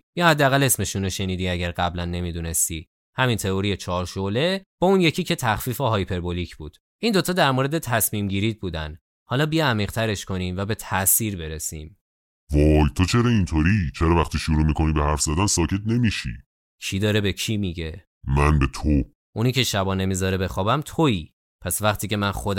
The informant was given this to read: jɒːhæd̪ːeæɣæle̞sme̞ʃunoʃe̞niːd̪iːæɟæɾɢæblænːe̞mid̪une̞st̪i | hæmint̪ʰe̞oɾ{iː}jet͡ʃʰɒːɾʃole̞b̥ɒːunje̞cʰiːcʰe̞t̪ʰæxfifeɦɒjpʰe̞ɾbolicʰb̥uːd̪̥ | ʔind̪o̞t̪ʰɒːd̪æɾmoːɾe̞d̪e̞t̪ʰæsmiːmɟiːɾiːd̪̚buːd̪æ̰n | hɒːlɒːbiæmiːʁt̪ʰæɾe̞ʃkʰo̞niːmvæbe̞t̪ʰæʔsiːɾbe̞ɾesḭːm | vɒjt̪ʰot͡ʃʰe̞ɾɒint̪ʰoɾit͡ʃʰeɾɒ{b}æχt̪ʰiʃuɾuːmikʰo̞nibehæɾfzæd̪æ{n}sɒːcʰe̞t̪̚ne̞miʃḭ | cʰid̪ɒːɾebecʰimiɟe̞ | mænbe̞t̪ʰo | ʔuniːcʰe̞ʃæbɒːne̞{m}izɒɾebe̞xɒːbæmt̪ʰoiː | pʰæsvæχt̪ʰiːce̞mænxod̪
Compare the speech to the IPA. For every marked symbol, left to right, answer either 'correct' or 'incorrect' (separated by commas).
incorrect, incorrect, correct, correct